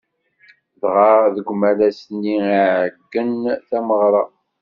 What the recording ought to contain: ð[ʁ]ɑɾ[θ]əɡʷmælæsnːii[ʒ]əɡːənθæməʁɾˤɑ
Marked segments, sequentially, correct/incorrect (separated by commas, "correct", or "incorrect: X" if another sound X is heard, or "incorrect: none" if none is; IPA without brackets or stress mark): correct, incorrect: ð, incorrect: ʕ